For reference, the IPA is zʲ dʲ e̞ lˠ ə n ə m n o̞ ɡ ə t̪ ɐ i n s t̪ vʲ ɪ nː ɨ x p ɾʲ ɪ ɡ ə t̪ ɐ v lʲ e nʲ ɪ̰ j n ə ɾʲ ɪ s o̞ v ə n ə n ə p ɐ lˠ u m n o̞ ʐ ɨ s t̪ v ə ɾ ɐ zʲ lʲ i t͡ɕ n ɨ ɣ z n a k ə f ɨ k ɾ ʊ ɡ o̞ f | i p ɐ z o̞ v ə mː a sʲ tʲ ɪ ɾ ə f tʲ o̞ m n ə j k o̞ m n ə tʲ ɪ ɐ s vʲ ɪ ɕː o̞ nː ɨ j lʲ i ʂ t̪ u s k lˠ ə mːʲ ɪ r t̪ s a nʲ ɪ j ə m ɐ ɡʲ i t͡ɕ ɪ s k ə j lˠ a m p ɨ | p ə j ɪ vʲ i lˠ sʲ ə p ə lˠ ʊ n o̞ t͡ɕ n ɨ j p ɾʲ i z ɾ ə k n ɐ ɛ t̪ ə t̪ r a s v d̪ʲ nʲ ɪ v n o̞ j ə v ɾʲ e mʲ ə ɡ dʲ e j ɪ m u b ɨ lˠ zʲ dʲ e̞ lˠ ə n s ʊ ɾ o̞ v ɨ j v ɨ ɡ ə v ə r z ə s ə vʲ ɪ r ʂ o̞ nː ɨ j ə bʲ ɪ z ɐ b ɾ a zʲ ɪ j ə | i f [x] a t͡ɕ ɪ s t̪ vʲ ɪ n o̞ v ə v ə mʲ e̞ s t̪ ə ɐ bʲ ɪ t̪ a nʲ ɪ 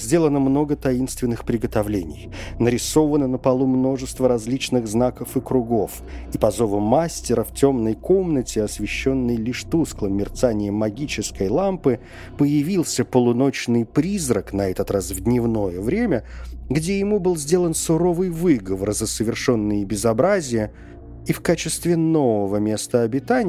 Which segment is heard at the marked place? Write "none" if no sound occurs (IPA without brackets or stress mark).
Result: k